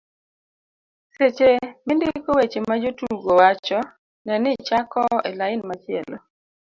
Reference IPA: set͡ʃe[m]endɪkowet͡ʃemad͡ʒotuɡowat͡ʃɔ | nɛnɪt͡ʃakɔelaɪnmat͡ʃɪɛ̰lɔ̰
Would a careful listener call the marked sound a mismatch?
no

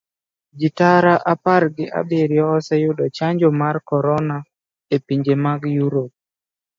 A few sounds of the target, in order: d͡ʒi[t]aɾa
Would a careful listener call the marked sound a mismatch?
no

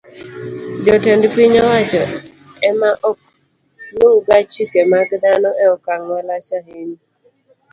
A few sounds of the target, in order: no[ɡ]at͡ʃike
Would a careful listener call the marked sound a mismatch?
no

